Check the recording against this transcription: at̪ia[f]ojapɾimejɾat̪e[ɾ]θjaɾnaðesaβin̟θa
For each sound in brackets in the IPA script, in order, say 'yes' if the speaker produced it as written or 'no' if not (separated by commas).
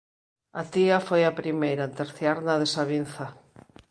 yes, yes